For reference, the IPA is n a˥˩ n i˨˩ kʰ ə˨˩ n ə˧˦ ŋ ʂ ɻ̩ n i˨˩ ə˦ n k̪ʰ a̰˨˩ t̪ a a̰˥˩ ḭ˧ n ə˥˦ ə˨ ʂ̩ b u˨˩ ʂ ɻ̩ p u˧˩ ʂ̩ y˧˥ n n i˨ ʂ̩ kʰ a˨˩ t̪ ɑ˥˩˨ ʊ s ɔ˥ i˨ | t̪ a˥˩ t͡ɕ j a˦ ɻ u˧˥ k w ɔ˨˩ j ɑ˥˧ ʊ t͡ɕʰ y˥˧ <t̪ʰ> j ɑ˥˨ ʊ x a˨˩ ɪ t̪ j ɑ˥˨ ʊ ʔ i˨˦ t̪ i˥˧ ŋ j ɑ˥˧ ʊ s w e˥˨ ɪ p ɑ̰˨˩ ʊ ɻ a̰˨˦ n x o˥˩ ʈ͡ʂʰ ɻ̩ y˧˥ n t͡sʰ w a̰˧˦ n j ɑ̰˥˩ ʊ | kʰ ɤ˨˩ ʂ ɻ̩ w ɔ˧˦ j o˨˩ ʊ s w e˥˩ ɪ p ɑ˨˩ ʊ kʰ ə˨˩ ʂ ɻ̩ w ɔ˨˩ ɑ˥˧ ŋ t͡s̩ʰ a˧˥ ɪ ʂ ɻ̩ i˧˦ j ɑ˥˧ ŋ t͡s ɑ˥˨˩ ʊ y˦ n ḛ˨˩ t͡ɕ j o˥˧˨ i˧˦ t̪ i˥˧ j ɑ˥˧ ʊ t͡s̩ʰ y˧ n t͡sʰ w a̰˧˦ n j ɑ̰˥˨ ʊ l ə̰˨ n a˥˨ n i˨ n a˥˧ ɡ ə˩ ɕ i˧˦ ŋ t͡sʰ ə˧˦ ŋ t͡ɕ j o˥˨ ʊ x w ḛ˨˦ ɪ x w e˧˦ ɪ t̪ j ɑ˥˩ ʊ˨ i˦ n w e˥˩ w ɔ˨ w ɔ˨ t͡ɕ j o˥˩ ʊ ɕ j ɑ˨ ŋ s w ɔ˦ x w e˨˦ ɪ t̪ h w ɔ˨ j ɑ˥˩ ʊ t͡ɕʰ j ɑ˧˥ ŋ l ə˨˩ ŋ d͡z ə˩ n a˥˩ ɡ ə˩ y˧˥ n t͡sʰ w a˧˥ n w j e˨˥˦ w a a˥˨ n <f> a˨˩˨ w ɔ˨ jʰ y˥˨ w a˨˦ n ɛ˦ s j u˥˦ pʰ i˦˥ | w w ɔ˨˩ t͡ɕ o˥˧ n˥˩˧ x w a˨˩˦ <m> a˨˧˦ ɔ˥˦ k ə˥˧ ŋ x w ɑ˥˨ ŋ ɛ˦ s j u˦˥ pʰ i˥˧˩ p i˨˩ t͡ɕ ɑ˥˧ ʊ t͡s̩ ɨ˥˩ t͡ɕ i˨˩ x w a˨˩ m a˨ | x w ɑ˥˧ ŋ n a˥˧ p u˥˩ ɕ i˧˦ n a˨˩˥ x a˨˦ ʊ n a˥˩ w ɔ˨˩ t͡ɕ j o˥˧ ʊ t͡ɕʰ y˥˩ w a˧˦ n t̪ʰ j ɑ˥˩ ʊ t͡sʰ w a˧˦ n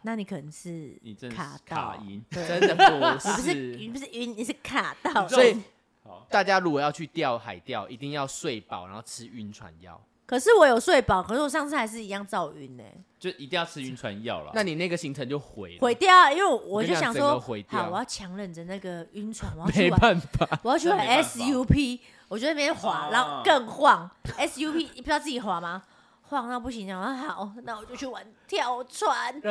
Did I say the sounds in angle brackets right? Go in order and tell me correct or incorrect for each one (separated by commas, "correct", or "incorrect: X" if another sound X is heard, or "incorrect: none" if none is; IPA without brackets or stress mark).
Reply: incorrect: t̪, correct, incorrect: n